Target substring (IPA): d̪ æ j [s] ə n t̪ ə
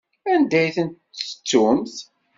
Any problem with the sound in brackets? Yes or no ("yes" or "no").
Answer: yes